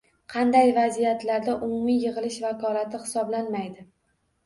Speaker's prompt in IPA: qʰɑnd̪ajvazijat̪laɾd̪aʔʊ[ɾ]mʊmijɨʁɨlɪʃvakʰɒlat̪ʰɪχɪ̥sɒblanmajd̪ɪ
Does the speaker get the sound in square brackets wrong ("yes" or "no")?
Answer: yes